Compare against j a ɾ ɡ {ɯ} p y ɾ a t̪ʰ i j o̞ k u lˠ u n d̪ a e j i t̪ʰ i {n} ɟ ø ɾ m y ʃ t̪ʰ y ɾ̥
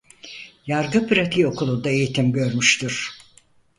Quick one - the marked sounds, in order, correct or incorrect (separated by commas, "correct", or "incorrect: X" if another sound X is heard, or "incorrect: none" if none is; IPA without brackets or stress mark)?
correct, incorrect: m